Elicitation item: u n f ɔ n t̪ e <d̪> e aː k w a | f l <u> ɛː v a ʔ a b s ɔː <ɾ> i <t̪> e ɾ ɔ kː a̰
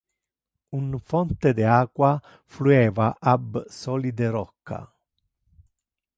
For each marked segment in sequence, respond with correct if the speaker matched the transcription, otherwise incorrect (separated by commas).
correct, correct, incorrect, incorrect